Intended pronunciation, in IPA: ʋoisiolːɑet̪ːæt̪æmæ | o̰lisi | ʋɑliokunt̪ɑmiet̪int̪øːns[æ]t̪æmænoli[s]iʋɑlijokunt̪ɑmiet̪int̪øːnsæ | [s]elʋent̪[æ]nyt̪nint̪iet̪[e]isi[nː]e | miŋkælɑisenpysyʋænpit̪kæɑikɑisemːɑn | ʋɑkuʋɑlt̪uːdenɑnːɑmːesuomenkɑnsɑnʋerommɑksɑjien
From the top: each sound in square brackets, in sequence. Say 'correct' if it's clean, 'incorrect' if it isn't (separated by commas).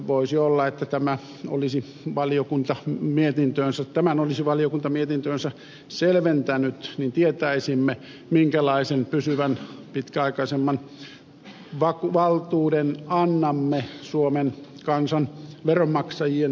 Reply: correct, correct, correct, correct, incorrect, incorrect